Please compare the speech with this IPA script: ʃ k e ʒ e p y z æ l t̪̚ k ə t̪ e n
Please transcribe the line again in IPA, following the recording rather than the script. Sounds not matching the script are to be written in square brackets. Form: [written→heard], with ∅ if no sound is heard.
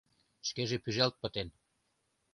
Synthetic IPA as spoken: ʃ k e ʒ e p y [z→ʒ] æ l t̪̚ [k→p] ə t̪ e n